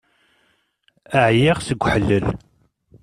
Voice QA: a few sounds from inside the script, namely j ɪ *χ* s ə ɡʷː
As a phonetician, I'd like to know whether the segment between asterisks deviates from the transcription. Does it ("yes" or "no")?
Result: yes